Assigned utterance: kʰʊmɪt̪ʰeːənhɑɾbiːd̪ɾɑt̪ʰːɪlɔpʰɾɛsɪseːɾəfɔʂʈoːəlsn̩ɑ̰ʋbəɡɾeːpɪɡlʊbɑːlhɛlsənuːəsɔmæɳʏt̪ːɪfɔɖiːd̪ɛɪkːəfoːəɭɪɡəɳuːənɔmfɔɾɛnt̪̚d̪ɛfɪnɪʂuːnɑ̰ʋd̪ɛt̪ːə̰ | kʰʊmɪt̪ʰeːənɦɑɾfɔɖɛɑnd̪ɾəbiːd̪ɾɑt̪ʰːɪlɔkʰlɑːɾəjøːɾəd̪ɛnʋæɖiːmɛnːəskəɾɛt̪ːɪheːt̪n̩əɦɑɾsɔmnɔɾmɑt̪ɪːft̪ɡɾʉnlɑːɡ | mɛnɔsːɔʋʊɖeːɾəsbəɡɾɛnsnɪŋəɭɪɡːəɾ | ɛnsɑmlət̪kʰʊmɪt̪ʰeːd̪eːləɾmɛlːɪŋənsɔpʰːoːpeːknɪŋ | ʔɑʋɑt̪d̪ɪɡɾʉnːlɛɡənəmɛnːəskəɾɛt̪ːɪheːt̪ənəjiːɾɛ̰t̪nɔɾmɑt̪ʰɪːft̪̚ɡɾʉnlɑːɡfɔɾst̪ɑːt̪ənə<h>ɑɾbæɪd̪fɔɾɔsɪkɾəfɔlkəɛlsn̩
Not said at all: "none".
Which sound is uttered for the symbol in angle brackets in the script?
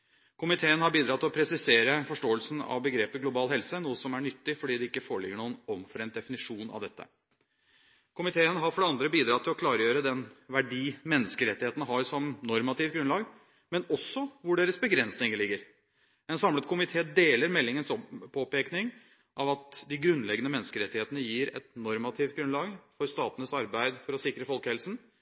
s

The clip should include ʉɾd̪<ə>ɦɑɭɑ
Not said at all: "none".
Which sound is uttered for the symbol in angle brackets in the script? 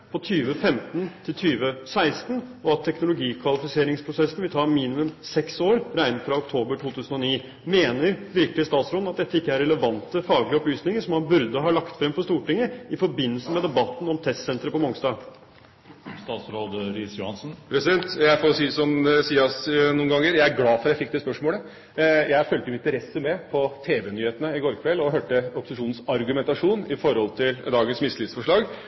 ə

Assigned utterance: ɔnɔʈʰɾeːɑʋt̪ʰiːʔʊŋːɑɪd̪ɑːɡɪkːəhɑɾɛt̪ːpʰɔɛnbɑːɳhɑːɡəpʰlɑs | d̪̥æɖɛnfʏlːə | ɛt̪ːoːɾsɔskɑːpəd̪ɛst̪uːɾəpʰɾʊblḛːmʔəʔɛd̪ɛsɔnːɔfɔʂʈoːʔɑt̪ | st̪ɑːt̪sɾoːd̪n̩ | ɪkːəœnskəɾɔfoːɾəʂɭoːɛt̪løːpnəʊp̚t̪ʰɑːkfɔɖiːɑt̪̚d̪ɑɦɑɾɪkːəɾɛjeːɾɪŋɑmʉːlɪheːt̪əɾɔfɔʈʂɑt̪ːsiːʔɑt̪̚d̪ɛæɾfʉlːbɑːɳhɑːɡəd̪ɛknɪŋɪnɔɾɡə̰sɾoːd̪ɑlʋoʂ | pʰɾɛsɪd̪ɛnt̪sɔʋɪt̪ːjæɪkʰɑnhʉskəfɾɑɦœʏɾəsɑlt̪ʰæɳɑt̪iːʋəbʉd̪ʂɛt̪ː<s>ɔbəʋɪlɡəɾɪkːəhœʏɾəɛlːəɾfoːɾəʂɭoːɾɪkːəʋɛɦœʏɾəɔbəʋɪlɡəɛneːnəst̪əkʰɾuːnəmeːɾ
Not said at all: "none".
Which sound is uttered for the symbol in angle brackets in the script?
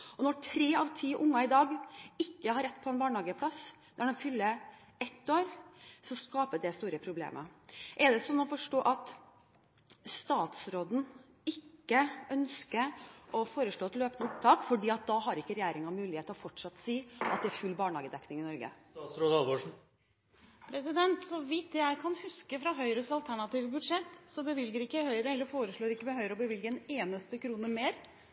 s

